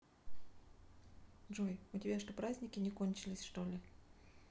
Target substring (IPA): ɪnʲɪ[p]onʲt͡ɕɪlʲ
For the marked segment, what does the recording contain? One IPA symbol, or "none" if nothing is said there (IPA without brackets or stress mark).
k